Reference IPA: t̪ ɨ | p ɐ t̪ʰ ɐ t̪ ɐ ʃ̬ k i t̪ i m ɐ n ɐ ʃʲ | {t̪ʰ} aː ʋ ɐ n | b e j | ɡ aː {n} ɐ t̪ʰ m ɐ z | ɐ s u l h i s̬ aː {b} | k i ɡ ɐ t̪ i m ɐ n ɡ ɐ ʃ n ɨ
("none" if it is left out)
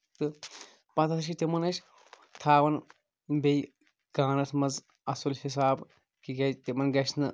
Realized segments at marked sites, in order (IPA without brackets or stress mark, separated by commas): t̪ʰ, n, b